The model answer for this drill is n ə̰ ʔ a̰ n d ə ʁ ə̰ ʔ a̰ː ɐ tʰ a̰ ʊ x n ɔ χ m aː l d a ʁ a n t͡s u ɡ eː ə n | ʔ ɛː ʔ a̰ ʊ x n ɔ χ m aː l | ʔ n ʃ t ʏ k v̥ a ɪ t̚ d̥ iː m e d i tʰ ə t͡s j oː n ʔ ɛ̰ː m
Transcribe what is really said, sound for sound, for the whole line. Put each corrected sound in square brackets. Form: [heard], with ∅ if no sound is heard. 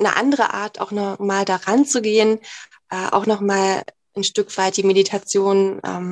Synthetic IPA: n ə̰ ʔ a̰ n d ə ʁ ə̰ ʔ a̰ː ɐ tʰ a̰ ʊ x n ɔ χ m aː l d a ʁ a n t͡s u ɡ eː ə n | ʔ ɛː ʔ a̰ ʊ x n ɔ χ m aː l | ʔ n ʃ t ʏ k v̥ a ɪ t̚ d̥ iː m e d i tʰ [a] t͡s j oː n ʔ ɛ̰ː m